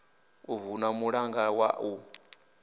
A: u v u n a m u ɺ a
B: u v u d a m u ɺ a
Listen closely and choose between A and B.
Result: A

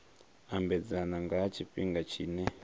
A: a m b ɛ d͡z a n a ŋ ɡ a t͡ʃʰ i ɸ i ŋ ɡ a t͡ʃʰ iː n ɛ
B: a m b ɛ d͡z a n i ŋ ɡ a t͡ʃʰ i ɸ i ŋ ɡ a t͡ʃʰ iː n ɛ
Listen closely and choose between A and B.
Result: A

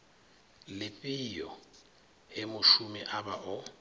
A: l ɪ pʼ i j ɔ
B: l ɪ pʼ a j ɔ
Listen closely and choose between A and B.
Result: A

